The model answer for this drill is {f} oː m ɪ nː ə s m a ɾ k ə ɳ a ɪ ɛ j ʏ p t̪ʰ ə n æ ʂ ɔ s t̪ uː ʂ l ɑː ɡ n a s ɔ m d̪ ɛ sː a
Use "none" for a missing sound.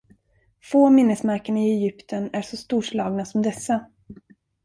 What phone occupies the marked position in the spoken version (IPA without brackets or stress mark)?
f